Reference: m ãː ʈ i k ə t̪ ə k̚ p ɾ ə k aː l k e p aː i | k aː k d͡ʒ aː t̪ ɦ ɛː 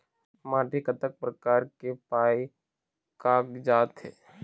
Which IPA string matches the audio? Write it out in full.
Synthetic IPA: m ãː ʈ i k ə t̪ ə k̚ p ɾ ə k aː ɾ k e p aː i | k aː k d͡ʒ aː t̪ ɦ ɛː

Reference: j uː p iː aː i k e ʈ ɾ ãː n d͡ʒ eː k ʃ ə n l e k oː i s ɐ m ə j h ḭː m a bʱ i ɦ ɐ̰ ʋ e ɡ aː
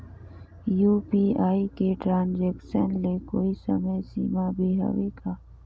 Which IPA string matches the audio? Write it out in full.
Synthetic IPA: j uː p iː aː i k e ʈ ɾ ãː n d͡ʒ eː k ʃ ə n l e k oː i s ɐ m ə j s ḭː m a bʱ i ɦ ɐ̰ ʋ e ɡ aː

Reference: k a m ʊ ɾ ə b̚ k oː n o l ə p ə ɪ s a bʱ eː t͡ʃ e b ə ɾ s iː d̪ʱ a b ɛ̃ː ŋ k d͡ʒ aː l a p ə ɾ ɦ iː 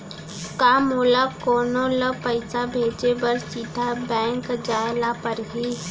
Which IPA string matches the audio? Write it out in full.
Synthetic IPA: k a m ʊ l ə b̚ k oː n o l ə p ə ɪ s a bʱ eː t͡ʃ e b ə ɾ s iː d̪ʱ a b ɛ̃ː ŋ k d͡ʒ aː l a p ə ɾ ɦ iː

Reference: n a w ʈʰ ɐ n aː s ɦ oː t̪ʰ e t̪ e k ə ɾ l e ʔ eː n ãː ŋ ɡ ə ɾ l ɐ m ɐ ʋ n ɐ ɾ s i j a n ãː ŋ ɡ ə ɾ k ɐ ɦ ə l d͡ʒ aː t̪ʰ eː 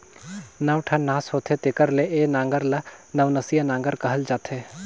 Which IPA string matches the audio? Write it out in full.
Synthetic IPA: n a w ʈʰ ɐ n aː s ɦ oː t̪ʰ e t̪ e k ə ɾ l e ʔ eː n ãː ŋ ɡ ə ɾ l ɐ n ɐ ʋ n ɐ s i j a n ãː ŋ ɡ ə ɾ k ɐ ɦ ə l d͡ʒ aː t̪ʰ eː

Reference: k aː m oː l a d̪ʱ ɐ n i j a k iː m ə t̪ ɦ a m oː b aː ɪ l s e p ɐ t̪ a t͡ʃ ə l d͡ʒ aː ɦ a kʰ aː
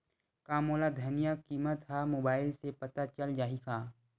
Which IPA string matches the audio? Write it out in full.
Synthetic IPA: k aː m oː l a d̪ʱ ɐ n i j a k iː m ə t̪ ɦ a m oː b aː ɪ l s e p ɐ t̪ a t͡ʃ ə l d͡ʒ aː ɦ i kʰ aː

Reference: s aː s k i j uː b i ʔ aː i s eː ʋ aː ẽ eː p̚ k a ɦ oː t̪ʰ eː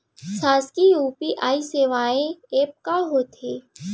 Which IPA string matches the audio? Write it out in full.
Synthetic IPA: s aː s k i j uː p i ʔ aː i s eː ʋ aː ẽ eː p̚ k a ɦ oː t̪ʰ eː

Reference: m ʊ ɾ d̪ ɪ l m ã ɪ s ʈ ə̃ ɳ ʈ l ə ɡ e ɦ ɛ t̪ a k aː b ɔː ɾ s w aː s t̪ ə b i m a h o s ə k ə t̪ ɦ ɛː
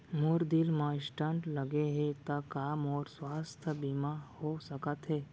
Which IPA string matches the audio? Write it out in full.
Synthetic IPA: m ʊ ɾ d̪ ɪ l m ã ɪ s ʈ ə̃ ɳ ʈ l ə ɡ e ɦ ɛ t̪ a k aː m ɔː ɾ s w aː s t̪ʰ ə b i m a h o s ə k ə t̪ ɦ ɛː

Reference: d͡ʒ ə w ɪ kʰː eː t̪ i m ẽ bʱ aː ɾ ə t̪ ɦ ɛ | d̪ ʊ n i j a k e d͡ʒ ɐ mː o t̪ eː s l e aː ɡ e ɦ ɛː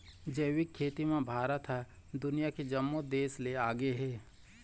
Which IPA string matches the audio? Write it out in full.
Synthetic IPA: d͡ʒ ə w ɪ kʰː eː t̪ i m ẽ bʱ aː ɾ ə t̪ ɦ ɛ | d̪ ʊ n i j a k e d͡ʒ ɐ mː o d̪ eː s l e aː ɡ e ɦ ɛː

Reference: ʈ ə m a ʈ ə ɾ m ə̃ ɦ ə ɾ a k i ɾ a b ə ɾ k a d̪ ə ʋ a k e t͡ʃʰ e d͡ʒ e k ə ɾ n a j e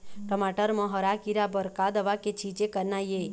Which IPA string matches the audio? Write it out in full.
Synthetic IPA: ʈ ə m a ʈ ə ɾ m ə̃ ɦ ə ɾ a k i ɾ a b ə ɾ k a d̪ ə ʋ a k e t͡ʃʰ i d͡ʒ e k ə ɾ n a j e

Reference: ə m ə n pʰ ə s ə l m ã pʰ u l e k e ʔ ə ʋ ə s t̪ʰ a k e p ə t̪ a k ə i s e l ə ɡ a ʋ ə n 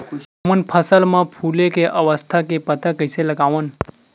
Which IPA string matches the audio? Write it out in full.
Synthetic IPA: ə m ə n pʰ ə s ə l m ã pʰ u l e k e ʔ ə ʋ ə s t̪ʰ a k e p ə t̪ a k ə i s e l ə ɡ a ʋ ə n

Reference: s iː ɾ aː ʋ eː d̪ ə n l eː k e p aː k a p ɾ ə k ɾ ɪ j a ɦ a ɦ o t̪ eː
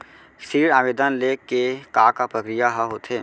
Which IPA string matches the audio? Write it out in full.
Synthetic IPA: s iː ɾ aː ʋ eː d̪ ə n l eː k e k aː k a p ɾ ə k ɾ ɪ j a ɦ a ɦ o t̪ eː

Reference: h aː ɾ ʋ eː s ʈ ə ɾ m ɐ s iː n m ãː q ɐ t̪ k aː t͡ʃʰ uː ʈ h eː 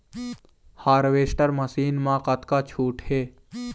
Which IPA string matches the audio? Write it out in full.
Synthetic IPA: h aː ɾ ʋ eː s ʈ ə ɾ m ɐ s iː n m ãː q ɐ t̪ k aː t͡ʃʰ uː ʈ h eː

